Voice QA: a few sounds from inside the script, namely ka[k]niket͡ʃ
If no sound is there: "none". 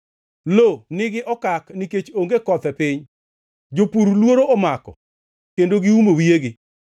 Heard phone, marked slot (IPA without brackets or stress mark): k